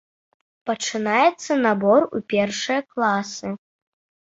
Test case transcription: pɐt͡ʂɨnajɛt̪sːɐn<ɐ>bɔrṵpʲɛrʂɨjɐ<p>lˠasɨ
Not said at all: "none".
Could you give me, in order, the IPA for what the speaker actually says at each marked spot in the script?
a, k

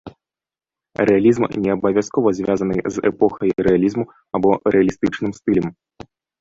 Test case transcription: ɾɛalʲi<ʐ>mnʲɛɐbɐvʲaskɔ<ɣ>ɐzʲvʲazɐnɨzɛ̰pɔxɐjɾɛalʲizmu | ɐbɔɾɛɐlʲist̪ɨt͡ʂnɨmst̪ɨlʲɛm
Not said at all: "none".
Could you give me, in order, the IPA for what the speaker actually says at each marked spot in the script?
z, v

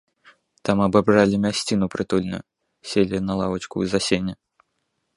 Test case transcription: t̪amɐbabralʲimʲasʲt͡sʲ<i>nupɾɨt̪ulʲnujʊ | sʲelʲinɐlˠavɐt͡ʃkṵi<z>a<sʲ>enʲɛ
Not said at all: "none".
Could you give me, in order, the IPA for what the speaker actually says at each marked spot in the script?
i, z, sʲ

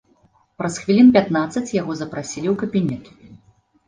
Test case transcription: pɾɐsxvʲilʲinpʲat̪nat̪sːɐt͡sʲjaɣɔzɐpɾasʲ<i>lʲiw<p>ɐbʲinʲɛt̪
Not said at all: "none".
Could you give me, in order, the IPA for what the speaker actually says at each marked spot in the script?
i, k

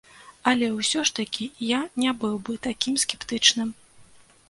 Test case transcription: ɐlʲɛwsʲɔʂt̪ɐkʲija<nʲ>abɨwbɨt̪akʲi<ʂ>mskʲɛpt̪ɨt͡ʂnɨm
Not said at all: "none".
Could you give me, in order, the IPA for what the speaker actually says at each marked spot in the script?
nʲ, none

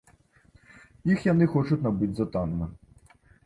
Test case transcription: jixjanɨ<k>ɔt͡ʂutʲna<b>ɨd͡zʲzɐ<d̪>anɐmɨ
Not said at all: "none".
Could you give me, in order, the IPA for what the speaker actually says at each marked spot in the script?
x, b, t̪

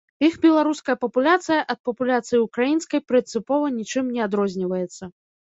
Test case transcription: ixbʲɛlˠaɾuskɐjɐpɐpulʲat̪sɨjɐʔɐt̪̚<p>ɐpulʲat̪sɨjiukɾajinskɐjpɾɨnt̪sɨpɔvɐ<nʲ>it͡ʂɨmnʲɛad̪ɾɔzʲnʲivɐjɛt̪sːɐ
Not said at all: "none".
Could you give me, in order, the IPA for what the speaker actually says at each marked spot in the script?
p, nʲ

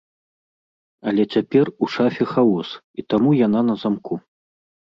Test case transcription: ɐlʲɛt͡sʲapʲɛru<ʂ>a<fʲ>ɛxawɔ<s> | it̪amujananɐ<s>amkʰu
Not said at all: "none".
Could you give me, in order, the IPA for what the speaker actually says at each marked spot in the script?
ʂ, fʲ, s, z

